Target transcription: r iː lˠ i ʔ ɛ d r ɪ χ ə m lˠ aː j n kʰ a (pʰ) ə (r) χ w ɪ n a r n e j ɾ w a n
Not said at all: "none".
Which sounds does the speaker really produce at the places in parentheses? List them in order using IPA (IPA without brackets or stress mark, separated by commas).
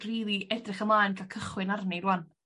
kʰ, none